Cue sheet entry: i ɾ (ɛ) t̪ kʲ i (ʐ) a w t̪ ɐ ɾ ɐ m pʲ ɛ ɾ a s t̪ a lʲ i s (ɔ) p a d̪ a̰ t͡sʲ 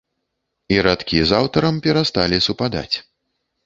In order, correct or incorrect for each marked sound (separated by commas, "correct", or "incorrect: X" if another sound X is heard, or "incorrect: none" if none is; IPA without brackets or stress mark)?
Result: incorrect: a, incorrect: z, incorrect: u